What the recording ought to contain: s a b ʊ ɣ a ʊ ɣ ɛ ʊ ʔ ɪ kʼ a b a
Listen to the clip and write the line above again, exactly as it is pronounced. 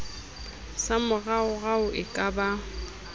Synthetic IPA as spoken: s a m ʊ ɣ a ʊ ɣ a ʊ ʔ ɪ kʼ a b a